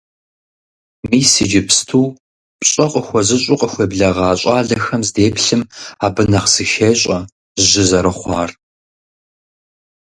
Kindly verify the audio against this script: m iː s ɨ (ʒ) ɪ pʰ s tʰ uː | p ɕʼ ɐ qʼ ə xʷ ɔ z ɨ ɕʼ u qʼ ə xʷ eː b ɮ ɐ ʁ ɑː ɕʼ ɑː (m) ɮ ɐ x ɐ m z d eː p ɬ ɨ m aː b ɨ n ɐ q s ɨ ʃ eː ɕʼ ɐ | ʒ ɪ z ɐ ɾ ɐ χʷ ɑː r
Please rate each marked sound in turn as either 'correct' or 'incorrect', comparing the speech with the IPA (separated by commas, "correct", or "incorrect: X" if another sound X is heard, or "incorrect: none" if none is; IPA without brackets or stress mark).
incorrect: d͡ʒ, incorrect: none